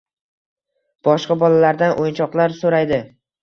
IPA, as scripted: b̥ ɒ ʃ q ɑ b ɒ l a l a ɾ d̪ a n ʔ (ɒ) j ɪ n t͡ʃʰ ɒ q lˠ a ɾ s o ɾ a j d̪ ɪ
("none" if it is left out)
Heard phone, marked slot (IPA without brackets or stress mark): o